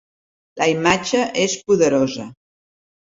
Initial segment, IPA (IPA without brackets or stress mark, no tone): l